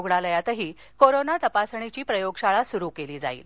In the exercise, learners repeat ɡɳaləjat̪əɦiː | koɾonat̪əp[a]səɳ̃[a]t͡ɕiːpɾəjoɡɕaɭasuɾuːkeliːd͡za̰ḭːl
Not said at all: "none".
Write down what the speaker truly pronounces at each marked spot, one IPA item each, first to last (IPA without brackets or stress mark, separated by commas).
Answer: a, i